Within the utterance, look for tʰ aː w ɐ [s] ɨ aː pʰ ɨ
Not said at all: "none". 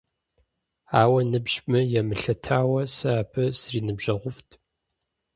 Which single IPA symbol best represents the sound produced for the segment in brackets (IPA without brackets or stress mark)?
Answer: s